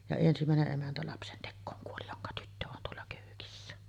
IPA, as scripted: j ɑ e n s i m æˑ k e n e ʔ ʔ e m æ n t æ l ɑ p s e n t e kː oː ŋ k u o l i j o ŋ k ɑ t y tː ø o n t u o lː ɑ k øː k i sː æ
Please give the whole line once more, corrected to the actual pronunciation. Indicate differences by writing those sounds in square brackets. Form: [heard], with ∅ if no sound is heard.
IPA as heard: j ɑ e n s i m æˑ [∅] e n e ʔ ʔ e m æ n t æ l ɑ p s e n t e kː oː ŋ k u o l i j o ŋ k ɑ t y tː ø o n t u o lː ɑ k øː k i sː æ